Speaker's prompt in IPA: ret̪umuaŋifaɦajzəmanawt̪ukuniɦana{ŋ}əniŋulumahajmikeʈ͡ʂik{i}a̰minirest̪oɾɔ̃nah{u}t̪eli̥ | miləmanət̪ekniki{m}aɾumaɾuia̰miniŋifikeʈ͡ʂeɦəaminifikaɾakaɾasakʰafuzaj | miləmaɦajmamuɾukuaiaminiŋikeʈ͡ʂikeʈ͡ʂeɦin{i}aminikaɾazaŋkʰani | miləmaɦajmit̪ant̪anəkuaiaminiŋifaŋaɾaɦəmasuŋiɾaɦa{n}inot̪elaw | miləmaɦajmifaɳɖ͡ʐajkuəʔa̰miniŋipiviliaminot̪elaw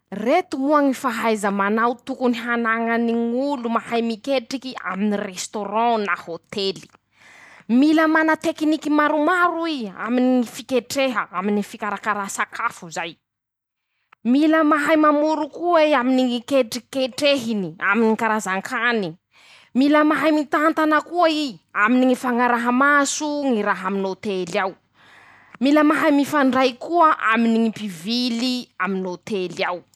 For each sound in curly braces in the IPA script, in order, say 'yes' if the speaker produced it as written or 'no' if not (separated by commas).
yes, yes, no, yes, yes, no